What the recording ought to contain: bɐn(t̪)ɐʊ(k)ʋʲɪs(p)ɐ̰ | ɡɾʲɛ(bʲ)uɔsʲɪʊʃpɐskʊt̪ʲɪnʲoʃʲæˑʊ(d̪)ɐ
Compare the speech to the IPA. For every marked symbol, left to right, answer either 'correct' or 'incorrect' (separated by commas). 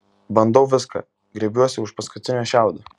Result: incorrect, incorrect, incorrect, correct, correct